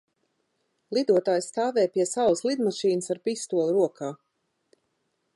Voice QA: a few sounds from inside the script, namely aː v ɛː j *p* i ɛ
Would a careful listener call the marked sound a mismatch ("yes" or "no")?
no